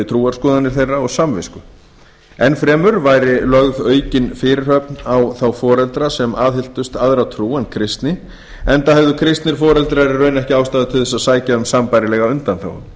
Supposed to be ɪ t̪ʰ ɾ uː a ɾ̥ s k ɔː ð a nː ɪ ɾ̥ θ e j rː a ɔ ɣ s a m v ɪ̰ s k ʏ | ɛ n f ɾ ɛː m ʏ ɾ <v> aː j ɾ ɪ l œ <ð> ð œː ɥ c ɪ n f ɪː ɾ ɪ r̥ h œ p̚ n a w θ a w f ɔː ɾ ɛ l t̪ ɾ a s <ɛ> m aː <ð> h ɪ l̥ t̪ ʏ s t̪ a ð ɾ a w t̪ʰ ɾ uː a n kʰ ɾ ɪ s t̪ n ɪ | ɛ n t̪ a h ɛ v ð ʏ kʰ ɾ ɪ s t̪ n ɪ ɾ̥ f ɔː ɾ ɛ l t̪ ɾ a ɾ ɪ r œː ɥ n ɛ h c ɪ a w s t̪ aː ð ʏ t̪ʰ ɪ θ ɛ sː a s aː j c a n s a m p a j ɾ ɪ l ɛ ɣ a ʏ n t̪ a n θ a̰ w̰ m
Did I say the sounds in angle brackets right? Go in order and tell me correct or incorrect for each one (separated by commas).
correct, incorrect, correct, correct